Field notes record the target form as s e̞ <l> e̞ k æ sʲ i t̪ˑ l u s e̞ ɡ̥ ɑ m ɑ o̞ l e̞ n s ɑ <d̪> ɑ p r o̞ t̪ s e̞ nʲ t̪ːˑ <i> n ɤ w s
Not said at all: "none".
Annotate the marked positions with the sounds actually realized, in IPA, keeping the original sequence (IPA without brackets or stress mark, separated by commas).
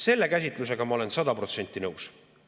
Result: lː, d̪, i